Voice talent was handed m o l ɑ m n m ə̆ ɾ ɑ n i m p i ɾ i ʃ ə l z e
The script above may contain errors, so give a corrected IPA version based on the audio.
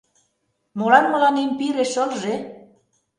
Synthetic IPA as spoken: m o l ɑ n m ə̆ l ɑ n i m p i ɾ e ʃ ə l ʒ e